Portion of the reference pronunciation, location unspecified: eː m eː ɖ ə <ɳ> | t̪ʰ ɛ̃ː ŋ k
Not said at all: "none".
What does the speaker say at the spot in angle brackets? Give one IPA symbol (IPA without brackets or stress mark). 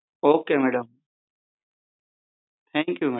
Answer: m